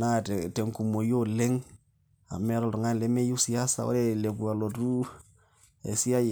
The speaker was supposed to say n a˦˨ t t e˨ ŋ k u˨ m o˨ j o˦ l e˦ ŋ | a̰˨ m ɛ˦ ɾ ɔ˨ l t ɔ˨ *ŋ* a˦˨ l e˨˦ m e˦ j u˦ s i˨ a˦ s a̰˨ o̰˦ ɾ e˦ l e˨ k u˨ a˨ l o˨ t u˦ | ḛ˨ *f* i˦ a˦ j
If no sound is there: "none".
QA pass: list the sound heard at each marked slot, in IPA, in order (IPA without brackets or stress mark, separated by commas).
ŋ, s